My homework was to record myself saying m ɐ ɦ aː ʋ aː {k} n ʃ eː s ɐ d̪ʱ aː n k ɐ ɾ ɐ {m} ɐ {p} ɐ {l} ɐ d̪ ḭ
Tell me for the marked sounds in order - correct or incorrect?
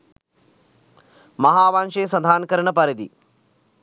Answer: incorrect: none, incorrect: ɳ, correct, incorrect: ɾ

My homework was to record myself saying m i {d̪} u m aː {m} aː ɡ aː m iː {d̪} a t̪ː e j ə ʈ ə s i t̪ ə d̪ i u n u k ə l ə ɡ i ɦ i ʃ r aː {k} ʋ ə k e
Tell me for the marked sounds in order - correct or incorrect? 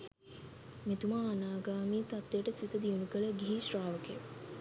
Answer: incorrect: t̪, incorrect: n, incorrect: t̪, incorrect: none

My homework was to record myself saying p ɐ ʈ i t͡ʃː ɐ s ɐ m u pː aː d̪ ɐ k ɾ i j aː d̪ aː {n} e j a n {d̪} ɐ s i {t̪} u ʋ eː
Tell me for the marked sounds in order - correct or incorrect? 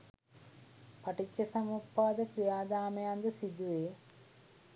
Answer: incorrect: m, correct, incorrect: d̪

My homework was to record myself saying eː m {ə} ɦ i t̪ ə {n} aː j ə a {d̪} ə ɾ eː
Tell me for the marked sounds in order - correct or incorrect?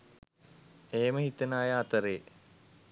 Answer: correct, correct, incorrect: t̪

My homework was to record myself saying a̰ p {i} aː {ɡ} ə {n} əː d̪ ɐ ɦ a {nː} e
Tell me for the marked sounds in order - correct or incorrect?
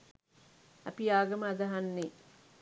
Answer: correct, correct, incorrect: m, correct

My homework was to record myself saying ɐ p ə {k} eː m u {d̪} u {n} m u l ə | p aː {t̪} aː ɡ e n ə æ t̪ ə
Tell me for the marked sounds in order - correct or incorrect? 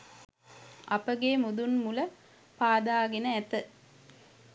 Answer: incorrect: ɡ, correct, correct, incorrect: d̪

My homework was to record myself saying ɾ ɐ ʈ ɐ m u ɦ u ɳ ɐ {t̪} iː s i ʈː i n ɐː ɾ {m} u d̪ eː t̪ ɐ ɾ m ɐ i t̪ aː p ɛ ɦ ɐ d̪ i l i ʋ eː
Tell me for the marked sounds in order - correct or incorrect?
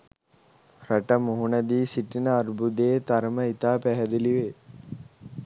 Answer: incorrect: d̪, incorrect: b

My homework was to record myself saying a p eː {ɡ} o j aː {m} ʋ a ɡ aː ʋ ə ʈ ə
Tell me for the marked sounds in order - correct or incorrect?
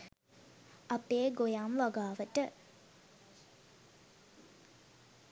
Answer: correct, correct

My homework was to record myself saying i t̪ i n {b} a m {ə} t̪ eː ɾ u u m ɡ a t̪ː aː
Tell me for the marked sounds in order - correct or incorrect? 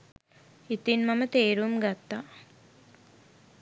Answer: incorrect: m, correct

